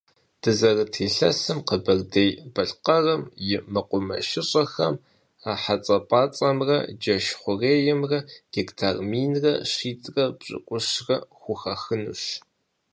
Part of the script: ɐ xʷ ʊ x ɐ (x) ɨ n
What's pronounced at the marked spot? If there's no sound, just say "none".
x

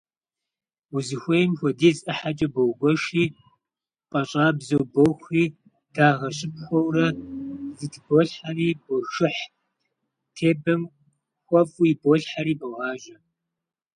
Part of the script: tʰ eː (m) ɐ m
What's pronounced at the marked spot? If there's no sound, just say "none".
b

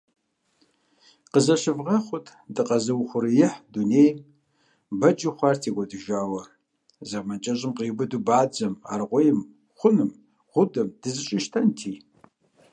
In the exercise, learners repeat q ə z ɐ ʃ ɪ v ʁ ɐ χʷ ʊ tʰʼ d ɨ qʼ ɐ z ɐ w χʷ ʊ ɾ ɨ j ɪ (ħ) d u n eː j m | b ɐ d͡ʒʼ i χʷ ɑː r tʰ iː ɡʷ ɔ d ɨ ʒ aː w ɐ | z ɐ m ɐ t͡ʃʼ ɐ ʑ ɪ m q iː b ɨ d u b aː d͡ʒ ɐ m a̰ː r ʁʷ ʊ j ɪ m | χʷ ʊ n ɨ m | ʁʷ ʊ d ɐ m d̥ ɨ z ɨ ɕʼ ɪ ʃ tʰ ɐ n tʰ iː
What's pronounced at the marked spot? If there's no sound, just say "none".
ħ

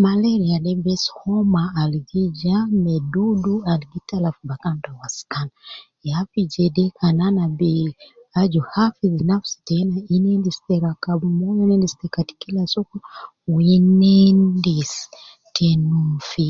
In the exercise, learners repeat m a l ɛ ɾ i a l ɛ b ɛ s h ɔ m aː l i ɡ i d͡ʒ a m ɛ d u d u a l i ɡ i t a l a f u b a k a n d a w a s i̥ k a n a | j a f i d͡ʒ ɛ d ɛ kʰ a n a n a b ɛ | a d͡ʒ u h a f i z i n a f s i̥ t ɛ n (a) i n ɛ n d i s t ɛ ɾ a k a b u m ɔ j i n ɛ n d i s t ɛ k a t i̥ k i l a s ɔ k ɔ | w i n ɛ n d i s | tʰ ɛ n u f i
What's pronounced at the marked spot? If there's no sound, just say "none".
a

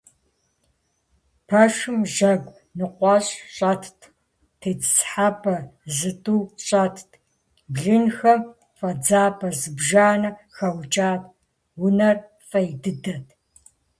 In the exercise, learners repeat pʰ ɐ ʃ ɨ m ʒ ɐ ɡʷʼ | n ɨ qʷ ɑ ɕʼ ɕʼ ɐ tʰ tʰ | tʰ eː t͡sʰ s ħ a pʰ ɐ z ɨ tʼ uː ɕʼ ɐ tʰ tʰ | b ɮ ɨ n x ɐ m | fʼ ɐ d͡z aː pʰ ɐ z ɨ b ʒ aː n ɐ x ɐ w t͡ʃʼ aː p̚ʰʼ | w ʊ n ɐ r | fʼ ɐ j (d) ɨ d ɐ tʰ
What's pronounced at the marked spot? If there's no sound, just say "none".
d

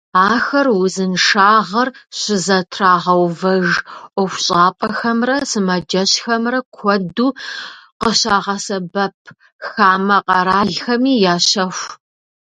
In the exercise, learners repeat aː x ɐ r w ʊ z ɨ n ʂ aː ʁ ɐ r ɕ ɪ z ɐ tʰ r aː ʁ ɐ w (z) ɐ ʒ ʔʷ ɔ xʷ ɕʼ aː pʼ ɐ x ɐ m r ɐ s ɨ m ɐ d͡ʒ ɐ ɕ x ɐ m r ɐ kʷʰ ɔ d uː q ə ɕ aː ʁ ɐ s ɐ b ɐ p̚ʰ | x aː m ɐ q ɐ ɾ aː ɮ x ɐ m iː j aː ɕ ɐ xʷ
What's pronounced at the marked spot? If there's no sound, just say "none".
v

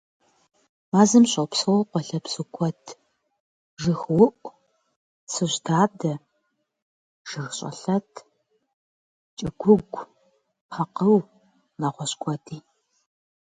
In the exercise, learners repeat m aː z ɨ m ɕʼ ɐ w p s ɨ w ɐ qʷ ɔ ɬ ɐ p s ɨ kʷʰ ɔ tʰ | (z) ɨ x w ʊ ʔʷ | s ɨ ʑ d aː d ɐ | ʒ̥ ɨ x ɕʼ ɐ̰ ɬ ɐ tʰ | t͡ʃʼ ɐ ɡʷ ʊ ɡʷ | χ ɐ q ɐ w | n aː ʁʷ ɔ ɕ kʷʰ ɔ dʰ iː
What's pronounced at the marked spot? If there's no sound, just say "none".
ʒ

